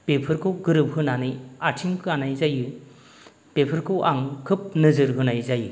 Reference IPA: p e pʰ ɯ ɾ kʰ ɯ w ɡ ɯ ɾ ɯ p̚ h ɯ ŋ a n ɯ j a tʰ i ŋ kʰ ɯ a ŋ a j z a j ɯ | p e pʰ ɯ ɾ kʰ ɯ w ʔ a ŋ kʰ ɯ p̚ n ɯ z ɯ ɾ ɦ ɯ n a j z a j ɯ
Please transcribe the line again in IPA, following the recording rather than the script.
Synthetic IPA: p e pʰ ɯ ɾ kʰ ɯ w ɡ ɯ ɾ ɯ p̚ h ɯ n a n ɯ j a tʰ i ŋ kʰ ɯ a n a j z a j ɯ | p e pʰ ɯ ɾ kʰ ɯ w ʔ a ŋ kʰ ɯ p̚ n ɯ z ɯ ɾ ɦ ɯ n a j z a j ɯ

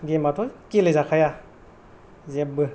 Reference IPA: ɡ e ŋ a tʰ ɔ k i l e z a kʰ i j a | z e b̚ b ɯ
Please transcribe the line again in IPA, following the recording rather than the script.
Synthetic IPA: ɡ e m a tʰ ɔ k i l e z a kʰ a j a | z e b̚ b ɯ

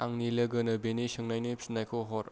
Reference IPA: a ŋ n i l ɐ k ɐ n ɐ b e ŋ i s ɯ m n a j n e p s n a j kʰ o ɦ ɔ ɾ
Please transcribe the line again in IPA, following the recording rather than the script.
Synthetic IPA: a ŋ n i l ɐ ɡ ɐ n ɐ b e n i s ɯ ŋ n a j n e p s n a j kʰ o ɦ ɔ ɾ

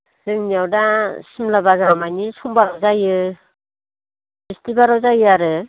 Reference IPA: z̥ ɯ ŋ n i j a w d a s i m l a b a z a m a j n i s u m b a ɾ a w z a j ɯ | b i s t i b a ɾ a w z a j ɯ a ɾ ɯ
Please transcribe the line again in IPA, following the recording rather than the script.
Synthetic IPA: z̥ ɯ ŋ n i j a w d a s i m l a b a z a m a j n i s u m b a ɾ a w z a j ɯ | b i s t i b a ɾ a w z a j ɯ a ɾ ɯ

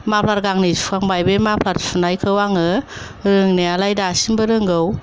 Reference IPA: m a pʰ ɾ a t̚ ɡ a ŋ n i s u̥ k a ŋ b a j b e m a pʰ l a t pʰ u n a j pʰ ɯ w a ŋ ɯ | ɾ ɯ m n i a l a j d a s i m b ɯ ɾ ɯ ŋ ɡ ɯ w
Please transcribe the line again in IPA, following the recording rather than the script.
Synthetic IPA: m a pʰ l a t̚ ɡ a ŋ n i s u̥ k a ŋ b a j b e m a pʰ l a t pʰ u n a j kʰ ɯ w a ŋ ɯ | ɾ ɯ ŋ n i a l a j d a s i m b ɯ ɾ ɯ ŋ ɡ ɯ w

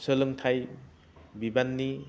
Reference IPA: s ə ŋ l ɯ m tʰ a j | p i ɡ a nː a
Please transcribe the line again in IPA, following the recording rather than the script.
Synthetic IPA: s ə l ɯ ŋ tʰ a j | b i b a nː i

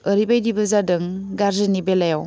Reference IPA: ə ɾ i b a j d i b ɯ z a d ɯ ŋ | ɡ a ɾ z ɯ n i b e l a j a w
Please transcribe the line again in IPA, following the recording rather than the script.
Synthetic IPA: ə ɾ i b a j d i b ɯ z a d ɯ ŋ | ɡ a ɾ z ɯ n i b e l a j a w

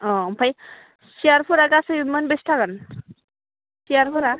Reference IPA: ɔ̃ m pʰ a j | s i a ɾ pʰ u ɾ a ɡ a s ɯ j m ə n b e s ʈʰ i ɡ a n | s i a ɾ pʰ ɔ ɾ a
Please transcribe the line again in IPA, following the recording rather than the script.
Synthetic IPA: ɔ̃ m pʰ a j | s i a ɾ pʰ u ɾ a ɡ a s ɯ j m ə n b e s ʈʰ a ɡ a n | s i a ɾ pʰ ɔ ɾ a

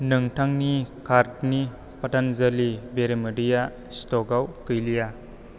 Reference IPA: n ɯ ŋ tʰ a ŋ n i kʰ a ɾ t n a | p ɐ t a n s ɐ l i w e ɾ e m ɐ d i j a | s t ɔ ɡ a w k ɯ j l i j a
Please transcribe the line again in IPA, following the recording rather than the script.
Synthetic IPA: n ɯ ŋ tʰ a ŋ n i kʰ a ɾ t n i | p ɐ t a n z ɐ l i b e ɾ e m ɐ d i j a | s t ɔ ɡ a w k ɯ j l i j a

